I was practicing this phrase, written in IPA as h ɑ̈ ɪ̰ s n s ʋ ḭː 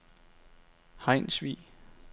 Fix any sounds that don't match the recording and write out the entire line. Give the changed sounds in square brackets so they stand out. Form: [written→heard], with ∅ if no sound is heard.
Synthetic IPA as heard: h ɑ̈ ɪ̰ [s→∅] n s ʋ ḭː

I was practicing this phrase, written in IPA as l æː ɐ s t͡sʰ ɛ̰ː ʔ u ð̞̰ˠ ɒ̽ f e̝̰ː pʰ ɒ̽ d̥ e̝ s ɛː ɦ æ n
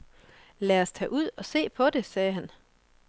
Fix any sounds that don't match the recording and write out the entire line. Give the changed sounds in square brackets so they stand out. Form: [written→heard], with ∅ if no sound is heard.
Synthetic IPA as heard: l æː ɐ s t͡sʰ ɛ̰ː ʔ u ð̞̰ˠ ɒ̽ [f→s] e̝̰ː pʰ ɒ̽ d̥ e̝ s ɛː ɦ æ n

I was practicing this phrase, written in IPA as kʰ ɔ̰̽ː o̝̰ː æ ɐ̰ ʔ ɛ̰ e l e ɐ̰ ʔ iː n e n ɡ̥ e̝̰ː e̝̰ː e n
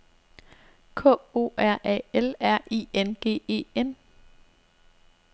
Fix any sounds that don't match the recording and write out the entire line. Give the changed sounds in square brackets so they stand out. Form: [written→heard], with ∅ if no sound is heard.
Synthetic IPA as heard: kʰ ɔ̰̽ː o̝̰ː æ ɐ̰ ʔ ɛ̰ e l [e→æ] ɐ̰ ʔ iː [n→∅] e n ɡ̥ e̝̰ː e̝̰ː e n

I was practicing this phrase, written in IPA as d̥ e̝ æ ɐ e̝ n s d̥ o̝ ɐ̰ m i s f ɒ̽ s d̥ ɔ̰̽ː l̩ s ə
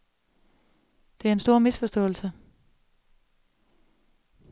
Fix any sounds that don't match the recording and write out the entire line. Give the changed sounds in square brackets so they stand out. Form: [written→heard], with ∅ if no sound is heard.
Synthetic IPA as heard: d̥ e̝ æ ɐ e̝ n s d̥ o̝ ɐ̰ m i s f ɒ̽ s d̥ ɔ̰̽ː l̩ s ə

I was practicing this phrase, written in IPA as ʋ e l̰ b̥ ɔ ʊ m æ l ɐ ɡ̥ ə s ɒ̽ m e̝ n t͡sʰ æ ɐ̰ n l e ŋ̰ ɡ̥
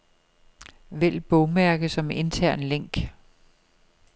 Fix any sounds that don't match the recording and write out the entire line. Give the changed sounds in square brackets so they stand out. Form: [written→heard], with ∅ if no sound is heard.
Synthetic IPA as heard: ʋ e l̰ b̥ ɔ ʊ m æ [l→∅] ɐ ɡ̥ ə s ɒ̽ m e̝ n t͡sʰ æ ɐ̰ n l e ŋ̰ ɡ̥

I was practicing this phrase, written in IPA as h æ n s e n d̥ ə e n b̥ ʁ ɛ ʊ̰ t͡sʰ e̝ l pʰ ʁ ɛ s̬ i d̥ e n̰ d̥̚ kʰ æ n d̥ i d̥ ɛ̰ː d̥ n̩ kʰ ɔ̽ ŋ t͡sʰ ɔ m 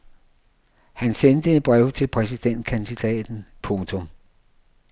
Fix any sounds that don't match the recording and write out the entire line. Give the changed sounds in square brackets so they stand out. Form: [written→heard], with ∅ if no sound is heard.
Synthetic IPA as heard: h æ n s e n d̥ ə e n b̥ ʁ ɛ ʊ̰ t͡sʰ e̝ l pʰ ʁ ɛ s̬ i d̥ e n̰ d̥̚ kʰ æ n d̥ i d̥ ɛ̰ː d̥ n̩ [kʰ→pʰ] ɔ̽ ŋ t͡sʰ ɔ m

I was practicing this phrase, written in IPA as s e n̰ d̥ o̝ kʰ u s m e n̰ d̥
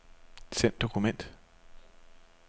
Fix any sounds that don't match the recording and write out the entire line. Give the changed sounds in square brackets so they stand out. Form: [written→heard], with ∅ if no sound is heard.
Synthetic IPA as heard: s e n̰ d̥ o̝ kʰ u [s→∅] m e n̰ d̥

